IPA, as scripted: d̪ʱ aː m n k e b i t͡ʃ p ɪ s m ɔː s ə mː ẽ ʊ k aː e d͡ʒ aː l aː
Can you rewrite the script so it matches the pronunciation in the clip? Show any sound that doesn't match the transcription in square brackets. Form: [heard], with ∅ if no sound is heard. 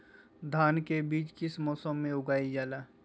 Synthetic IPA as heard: d̪ʱ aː [∅] n k e b [iː] t͡ʃ [k] ɪ s m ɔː s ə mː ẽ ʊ [ɡ] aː [i] d͡ʒ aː l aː